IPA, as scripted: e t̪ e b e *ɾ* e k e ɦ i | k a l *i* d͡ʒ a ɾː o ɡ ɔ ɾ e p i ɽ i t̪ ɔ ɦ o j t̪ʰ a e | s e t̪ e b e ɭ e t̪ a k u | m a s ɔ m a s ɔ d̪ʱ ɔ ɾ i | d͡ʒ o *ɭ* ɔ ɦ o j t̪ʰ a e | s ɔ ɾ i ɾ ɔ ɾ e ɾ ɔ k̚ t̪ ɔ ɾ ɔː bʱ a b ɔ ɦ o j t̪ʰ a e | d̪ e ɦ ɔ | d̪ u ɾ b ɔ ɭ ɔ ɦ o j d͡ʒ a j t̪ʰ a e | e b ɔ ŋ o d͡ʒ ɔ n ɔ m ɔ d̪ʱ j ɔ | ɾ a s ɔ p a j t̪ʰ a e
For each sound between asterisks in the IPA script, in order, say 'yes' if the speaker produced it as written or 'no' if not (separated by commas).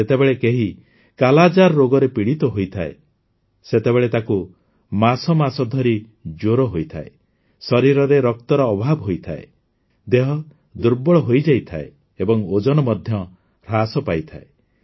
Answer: no, no, no